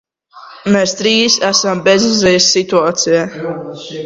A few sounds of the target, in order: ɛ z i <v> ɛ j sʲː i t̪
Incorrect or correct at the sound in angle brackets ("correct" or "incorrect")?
incorrect